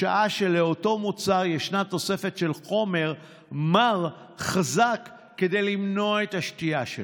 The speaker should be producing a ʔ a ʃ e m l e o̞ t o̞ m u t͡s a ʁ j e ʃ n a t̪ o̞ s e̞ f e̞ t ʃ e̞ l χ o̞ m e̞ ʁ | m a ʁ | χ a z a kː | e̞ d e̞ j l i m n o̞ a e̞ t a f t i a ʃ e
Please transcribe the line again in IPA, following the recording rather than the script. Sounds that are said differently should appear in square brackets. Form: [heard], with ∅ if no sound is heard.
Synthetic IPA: a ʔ a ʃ e [∅] l e o̞ t o̞ m u t͡s a ʁ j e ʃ n a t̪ o̞ s e̞ f e̞ t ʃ e̞ l χ o̞ m e̞ ʁ | m a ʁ | χ a z a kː | e̞ d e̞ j l i m n o̞ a e̞ t a [ʃ] t i a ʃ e